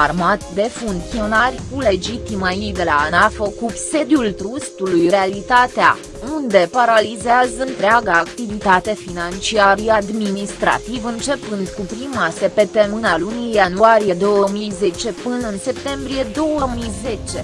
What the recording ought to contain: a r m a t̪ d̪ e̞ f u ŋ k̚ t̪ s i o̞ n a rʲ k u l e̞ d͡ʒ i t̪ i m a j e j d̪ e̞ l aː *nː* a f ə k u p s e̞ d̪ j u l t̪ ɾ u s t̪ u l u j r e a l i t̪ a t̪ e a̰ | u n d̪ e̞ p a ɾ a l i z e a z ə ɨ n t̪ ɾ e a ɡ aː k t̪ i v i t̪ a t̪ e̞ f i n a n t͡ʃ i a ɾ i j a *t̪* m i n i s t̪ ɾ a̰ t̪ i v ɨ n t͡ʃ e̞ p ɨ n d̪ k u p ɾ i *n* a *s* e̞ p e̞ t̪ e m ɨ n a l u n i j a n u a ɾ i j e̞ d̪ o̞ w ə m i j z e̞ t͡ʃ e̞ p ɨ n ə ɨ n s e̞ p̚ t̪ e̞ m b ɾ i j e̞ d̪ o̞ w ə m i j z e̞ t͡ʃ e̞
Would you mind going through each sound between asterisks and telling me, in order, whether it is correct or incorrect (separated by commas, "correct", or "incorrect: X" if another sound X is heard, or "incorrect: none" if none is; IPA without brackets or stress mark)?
incorrect: n, incorrect: d̪, incorrect: m, correct